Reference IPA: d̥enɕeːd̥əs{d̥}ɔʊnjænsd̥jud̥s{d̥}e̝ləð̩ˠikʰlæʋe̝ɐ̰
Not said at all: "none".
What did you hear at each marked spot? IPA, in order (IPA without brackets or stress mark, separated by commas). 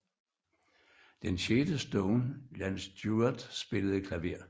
d̥, b̥